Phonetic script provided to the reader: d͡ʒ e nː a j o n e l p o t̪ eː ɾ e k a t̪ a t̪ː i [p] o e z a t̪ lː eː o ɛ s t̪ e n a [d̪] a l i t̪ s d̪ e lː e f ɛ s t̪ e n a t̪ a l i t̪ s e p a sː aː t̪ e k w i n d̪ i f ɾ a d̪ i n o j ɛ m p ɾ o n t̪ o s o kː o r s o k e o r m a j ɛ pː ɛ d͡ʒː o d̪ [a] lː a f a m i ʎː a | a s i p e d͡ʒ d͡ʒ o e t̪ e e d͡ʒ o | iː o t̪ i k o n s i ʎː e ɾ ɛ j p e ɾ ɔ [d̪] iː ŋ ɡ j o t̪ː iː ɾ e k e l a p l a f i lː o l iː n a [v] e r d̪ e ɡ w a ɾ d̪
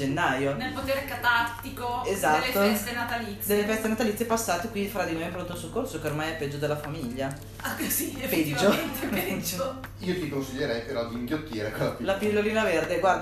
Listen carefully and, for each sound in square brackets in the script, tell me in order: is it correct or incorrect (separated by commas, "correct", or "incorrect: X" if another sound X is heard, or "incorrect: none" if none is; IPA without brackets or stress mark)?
incorrect: k, incorrect: t̪, incorrect: e, correct, correct